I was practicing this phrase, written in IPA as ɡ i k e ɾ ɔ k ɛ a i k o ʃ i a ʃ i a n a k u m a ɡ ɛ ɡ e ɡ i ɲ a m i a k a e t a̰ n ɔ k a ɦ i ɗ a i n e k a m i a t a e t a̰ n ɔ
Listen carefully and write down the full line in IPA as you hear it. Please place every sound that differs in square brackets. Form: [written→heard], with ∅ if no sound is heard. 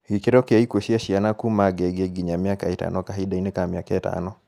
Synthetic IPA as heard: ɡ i k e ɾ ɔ k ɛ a i k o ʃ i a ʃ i a n a k u m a ɡ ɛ ɡ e ɡ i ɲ a m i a k a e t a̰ n ɔ k a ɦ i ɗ a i n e k a m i a [t→k] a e t a̰ n ɔ